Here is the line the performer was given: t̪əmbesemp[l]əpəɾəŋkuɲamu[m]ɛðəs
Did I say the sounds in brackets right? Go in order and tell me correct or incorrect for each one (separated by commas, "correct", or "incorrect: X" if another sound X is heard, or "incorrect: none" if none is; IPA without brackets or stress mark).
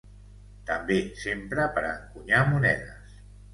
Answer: incorrect: ɾ, incorrect: n